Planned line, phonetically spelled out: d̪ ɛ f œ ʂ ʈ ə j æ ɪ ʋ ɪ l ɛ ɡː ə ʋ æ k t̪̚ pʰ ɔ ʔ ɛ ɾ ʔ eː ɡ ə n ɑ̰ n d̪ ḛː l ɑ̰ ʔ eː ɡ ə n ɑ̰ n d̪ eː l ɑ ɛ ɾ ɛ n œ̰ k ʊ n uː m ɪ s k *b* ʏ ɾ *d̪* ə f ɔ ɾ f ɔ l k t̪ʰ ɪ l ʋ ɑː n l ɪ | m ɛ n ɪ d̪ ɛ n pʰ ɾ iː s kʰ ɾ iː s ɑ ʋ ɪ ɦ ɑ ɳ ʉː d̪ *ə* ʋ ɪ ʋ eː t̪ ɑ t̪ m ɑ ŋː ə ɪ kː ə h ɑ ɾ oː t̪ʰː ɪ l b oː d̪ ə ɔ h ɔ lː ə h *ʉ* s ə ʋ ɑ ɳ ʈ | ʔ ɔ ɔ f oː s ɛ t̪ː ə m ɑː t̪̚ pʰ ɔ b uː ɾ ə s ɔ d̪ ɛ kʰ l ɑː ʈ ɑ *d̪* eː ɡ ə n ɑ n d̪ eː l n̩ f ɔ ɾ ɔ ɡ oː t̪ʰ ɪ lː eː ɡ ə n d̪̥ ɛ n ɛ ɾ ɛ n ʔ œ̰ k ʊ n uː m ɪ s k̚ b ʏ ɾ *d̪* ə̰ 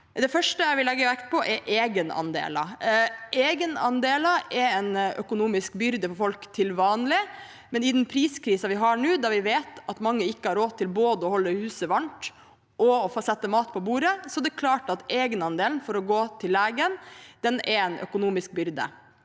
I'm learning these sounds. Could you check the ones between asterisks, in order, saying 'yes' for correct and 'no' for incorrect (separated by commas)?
yes, yes, no, no, no, yes